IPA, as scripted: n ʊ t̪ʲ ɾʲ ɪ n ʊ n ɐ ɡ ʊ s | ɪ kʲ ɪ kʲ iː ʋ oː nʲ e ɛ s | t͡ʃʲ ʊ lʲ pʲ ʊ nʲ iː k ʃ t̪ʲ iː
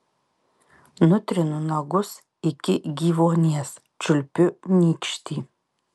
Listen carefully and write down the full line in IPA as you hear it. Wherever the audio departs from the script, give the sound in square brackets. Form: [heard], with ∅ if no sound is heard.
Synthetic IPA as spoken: n ʊ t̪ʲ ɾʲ ɪ n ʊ n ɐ ɡ ʊ s | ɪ kʲ ɪ [ɡʲ] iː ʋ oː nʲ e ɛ s | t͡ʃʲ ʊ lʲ pʲ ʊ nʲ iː k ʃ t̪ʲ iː